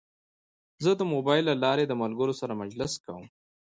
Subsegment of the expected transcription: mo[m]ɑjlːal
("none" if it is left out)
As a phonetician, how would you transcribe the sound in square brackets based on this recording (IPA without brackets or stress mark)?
b